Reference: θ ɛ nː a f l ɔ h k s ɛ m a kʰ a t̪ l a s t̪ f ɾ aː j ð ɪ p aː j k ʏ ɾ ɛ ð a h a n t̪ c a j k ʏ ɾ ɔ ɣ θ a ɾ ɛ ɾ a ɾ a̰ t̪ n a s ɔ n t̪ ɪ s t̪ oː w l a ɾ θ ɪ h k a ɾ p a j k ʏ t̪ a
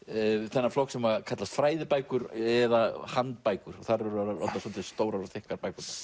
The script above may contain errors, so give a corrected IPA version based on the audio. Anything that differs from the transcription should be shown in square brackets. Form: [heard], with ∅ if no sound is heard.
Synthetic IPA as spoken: θ ɛ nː a f l ɔ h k s ɛ m a kʰ a t̪ l a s t̪ f ɾ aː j ð ɪ p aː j k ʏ ɾ ɛ ð a h a n t̪ [p] a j k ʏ ɾ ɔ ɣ θ a ɾ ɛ ɾ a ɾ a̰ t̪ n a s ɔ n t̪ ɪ s t̪ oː w [ɾ] a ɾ θ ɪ h k a ɾ p a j k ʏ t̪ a